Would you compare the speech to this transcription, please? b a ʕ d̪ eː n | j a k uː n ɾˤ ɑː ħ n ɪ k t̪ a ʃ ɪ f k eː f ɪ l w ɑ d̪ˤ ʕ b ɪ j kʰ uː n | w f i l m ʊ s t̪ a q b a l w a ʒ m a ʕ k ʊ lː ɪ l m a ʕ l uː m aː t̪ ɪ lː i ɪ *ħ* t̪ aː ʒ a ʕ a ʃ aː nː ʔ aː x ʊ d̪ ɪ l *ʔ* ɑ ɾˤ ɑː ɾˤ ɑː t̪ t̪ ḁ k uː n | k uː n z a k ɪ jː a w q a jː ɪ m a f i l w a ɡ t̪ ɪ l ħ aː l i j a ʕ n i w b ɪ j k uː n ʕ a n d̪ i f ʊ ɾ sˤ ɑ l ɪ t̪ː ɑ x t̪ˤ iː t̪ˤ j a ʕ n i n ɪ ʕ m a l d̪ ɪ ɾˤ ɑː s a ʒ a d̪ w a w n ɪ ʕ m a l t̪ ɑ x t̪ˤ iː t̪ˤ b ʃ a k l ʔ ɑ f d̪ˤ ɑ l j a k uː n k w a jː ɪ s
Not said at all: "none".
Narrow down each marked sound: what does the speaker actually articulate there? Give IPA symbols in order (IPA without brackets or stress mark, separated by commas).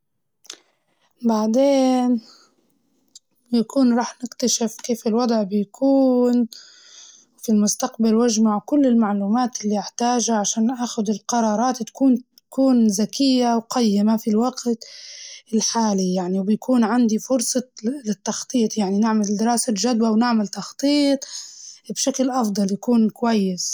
ħ, q